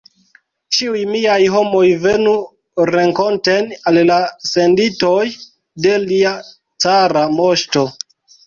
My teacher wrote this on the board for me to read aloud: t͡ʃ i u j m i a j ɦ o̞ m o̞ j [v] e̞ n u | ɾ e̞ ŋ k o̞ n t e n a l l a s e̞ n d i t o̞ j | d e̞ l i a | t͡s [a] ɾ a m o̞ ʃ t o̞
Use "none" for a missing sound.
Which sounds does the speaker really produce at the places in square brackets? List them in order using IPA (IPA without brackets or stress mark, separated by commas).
v, a